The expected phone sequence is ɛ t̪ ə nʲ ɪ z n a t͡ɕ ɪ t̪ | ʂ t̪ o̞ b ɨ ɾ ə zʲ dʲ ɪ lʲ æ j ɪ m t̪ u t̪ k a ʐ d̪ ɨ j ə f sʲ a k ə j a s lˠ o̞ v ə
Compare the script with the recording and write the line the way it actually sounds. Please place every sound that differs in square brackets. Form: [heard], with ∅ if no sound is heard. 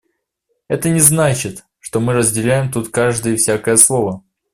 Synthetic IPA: ɛ t̪ ə nʲ ɪ z n a t͡ɕ ɪ t̪ | ʂ t̪ o̞ [m] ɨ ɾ ə zʲ dʲ ɪ lʲ æ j ɪ m t̪ u t̪ k a ʐ d̪ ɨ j ə f sʲ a k ə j [ə] s lˠ o̞ v ə